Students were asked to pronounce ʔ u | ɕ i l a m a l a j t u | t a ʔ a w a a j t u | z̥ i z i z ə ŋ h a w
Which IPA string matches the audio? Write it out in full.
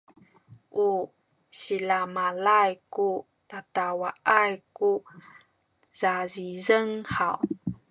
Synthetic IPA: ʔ u | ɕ i l a m a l a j k u | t a t a w a a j k u | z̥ a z i z ə ŋ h a w